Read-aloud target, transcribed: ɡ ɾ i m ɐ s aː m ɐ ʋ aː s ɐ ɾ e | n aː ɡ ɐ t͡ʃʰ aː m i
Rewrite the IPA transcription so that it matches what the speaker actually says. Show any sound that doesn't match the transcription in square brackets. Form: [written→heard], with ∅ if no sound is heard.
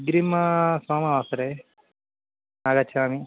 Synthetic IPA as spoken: ɡ ɾ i m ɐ s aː m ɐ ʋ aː s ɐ ɾ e | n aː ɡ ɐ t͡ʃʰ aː m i